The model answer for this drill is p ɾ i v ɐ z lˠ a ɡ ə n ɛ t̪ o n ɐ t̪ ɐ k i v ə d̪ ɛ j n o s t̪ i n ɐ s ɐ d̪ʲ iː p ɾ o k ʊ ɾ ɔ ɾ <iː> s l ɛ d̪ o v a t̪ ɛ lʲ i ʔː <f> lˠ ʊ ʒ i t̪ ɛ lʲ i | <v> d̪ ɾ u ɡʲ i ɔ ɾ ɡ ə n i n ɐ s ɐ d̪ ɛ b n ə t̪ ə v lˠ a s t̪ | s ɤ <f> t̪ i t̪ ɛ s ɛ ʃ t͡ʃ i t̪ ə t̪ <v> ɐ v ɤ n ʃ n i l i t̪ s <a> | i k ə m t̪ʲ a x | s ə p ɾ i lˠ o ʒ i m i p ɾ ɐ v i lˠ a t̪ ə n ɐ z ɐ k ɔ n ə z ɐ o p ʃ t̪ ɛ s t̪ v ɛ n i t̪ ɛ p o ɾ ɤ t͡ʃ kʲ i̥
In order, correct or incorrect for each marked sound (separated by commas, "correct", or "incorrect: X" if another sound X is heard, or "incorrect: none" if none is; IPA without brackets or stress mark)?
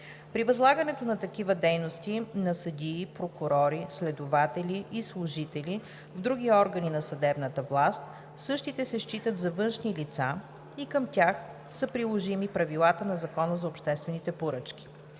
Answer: incorrect: i, incorrect: s, correct, incorrect: ʃ, incorrect: z, correct